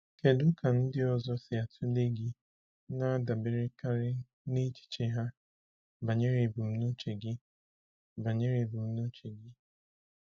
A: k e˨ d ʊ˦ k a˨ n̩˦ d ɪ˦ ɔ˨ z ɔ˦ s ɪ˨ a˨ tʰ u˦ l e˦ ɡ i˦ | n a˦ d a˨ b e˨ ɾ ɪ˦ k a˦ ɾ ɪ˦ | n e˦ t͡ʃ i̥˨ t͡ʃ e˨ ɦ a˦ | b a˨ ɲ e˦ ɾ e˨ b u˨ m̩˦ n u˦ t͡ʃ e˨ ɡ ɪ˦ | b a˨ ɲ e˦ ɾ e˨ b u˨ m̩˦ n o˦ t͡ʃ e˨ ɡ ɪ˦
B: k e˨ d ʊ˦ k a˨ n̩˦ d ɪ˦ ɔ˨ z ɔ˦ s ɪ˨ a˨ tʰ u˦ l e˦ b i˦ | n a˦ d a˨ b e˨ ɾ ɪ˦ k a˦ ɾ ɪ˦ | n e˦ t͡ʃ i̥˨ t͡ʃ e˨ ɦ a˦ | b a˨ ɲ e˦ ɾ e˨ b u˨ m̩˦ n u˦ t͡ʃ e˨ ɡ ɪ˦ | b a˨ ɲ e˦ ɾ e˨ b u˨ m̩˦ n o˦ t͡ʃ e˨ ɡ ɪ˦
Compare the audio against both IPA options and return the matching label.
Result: A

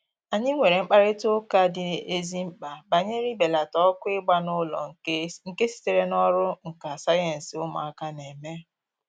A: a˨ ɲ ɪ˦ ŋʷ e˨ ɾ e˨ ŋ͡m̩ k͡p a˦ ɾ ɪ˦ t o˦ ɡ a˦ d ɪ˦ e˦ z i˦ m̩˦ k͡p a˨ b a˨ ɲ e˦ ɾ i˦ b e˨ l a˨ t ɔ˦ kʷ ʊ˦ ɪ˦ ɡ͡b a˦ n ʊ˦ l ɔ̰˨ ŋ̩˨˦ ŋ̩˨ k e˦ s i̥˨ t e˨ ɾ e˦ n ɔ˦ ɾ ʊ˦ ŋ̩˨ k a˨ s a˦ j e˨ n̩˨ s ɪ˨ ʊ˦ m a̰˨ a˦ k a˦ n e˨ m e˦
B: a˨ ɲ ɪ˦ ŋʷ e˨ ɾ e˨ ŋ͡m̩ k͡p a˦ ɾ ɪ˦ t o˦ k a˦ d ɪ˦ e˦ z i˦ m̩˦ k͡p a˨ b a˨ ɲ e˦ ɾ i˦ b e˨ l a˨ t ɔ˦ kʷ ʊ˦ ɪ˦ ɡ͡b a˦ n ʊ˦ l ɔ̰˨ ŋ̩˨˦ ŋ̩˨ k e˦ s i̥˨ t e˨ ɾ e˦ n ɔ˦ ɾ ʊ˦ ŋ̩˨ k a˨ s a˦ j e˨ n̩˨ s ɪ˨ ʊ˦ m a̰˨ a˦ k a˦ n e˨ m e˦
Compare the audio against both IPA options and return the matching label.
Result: B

